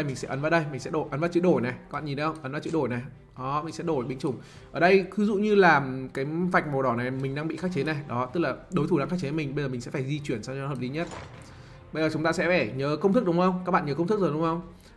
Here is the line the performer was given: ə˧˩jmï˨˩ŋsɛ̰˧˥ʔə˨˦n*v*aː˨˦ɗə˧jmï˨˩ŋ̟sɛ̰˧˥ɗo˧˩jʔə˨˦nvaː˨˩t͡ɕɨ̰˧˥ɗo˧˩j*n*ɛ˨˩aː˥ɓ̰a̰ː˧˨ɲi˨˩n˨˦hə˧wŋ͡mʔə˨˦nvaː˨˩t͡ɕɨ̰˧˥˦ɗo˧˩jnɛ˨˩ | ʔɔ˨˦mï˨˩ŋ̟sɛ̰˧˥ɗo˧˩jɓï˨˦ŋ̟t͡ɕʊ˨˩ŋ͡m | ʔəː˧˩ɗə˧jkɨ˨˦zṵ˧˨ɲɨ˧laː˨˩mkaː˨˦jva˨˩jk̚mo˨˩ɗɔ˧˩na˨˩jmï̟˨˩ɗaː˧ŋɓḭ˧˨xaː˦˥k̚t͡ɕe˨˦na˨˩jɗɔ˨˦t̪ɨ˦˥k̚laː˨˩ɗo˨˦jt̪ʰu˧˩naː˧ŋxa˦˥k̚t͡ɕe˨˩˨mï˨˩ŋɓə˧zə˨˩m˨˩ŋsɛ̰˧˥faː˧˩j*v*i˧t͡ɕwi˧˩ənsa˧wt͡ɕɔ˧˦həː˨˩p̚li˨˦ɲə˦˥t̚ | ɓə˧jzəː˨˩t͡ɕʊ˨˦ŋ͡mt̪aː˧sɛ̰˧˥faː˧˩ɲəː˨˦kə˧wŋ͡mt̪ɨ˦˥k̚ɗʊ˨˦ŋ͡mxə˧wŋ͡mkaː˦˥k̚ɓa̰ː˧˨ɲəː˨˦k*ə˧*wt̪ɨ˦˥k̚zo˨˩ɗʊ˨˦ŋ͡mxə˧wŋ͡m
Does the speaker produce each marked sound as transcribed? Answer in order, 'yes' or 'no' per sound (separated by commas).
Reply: yes, yes, no, yes